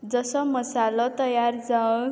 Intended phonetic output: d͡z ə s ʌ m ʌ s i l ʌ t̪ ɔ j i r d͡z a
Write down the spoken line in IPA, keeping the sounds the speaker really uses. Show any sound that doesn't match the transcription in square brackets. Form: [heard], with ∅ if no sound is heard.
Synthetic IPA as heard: d͡z [ʌ] s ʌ m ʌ s [a] l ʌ t̪ [ʌ] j [a] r d͡z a